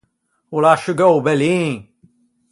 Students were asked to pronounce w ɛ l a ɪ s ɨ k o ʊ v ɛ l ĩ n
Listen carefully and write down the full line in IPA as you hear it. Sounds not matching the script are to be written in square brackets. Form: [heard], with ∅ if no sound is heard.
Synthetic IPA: w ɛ l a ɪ [ʃ] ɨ [ɡ] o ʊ [b] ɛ l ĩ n